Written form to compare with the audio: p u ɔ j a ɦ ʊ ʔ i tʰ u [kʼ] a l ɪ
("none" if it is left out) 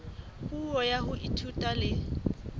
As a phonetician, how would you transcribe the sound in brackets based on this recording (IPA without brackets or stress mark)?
tʼ